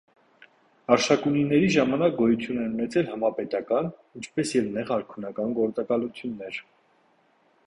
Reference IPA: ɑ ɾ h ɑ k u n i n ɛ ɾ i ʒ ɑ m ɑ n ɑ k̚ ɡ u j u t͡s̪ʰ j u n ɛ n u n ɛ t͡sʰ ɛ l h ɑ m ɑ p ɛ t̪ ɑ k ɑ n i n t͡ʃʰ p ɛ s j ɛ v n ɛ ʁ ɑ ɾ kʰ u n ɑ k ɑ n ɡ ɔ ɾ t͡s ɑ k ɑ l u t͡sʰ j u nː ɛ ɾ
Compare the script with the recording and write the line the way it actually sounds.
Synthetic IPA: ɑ ɾ ʃ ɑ k u n i n ɛ ɾ i ʒ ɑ m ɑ n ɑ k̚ ɡ ɔ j u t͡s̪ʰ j u n ɛ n u n ɛ t͡sʰ ɛ l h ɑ m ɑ p ɛ t̪ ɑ k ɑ n i n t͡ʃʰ p ɛ s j ɛ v n ɛ ʁ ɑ ɾ kʰ u n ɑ k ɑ n ɡ ɔ ɾ t͡s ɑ k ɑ l u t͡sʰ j u nː ɛ ɾ